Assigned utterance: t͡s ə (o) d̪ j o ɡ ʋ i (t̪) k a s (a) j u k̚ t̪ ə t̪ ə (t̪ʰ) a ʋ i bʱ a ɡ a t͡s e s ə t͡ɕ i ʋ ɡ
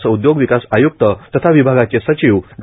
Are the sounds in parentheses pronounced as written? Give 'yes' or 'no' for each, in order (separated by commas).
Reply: no, no, yes, yes